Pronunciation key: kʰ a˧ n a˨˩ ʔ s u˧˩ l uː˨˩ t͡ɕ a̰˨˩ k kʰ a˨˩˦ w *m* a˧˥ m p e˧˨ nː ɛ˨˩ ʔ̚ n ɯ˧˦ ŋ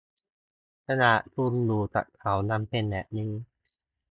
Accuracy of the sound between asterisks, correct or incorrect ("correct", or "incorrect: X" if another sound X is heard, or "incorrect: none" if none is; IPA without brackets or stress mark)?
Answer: incorrect: n